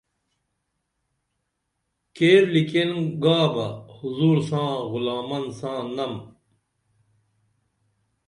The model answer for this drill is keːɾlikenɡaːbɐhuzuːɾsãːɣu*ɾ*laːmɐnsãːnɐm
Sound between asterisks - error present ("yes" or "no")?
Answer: yes